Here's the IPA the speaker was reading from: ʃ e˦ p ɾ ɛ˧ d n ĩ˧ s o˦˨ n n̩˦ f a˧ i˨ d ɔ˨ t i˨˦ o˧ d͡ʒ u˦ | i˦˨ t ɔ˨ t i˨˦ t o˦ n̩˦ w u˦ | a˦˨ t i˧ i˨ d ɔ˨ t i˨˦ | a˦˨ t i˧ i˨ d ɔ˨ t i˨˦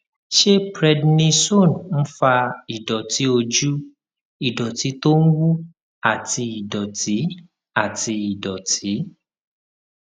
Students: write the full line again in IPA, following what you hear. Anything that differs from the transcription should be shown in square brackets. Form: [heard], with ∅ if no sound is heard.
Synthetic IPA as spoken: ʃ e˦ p ɾ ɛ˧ d n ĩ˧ s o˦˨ n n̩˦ f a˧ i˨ d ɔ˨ t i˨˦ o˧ d͡ʒ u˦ | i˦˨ [d] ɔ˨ t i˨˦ t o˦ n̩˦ w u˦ | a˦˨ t i˧ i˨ d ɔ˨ t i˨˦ | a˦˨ t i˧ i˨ d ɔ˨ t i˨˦